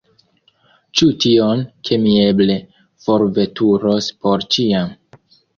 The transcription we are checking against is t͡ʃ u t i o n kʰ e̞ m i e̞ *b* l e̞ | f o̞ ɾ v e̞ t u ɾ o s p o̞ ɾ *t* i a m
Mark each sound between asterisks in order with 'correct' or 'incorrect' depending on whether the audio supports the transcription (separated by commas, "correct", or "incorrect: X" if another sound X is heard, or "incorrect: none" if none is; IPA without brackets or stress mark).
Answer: correct, incorrect: t͡ʃ